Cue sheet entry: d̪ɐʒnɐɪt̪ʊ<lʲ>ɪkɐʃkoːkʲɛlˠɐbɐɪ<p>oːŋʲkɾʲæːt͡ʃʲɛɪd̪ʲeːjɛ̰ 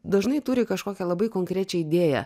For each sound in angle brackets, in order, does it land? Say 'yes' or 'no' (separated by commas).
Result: no, no